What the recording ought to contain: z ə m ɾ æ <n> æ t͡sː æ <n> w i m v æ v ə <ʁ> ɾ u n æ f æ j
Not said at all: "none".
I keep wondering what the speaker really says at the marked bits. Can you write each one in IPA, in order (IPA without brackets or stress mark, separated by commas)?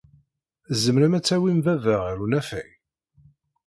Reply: m, none, ʁ